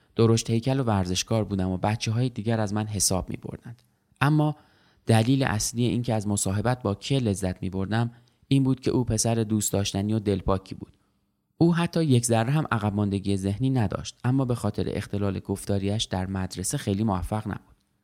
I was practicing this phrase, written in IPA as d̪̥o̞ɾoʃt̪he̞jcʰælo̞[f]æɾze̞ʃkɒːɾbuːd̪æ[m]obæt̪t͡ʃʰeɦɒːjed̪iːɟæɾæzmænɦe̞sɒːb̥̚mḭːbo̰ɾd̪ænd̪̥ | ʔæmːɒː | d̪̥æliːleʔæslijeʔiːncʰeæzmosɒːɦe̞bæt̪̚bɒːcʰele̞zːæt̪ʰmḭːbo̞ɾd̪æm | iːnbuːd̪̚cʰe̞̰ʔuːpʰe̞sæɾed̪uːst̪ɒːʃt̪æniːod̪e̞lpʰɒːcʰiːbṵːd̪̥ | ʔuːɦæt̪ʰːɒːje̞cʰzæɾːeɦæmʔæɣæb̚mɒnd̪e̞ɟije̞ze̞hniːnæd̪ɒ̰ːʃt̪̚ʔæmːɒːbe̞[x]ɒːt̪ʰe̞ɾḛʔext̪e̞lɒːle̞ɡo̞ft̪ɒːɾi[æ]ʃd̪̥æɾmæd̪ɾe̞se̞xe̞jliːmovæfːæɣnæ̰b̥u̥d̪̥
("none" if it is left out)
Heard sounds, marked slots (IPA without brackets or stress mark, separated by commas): v, m, x, æ